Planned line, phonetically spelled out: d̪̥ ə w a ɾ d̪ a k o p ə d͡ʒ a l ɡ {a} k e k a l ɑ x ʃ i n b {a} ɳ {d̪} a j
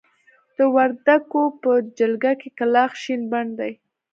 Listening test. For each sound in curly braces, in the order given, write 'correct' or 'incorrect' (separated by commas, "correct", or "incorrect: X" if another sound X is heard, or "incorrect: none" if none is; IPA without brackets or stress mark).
correct, correct, correct